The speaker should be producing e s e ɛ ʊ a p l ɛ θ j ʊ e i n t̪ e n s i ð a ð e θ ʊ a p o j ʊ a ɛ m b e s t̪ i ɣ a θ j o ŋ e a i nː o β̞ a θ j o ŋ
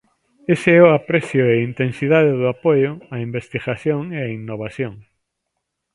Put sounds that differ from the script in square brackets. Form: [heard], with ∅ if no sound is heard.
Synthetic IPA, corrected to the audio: e s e ɛ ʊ a p [ɾ] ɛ θ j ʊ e i n t̪ e n s i ð a ð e [ð] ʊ a p o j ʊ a [i] m b e s t̪ i ɣ a θ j o ŋ e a i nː o β̞ a θ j o ŋ